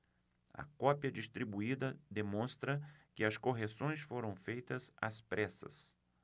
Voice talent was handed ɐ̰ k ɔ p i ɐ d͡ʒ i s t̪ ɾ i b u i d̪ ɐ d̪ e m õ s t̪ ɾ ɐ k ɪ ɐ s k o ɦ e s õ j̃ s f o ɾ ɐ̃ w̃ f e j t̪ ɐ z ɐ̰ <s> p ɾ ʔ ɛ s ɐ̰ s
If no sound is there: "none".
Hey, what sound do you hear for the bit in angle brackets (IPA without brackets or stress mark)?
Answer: s